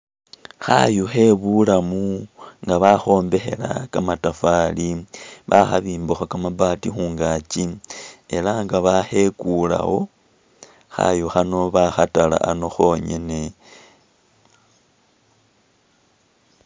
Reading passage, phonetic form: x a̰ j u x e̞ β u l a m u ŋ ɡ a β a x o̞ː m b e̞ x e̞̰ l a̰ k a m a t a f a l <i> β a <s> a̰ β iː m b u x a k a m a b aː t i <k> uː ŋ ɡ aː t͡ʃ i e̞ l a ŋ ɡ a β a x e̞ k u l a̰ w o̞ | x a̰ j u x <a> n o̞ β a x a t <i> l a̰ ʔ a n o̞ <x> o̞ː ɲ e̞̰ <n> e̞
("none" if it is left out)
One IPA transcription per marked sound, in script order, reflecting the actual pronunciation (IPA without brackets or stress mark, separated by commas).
i, x, x, a, a, x, n